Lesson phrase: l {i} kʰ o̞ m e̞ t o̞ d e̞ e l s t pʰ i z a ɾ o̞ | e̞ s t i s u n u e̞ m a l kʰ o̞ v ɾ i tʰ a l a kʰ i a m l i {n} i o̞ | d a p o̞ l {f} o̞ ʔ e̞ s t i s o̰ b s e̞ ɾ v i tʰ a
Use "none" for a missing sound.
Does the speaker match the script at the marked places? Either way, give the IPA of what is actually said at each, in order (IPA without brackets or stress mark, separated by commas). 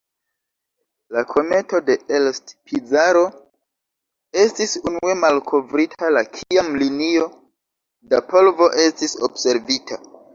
a, n, v